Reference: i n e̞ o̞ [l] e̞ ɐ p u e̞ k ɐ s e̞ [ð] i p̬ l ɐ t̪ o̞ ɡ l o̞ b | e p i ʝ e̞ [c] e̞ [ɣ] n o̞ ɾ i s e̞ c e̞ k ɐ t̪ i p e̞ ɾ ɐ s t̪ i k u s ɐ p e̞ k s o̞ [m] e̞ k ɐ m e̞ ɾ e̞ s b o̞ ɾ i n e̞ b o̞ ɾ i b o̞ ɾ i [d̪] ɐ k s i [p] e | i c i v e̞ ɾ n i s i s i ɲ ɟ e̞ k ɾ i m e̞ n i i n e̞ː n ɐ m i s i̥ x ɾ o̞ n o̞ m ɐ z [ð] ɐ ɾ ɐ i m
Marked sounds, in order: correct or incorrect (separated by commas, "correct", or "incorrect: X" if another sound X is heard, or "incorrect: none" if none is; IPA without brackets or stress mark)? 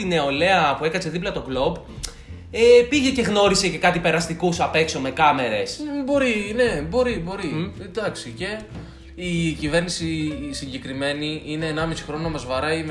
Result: correct, correct, correct, correct, correct, correct, incorrect: c, incorrect: v